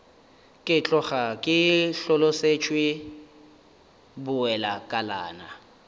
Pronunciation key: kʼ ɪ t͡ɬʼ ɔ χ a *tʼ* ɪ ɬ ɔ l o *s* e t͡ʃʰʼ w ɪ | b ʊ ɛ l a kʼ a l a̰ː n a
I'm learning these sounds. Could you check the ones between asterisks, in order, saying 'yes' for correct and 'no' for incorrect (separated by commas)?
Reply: no, yes